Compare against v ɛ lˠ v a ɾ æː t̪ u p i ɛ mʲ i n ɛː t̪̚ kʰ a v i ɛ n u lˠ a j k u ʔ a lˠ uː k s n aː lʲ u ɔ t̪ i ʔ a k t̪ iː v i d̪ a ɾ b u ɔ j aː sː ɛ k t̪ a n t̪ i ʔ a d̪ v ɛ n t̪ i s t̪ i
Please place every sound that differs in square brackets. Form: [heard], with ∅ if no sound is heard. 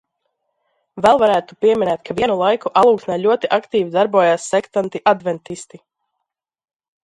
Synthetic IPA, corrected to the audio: v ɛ lˠ v a ɾ æː t̪ u p i ɛ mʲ i n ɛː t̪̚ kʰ a v i ɛ n u lˠ a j k u ʔ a lˠ uː k s n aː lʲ u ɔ t̪ i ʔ a k t̪ iː v i d̪ a ɾ b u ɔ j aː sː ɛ k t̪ a n t̪ i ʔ a d̪ v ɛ n t̪ i s t̪ i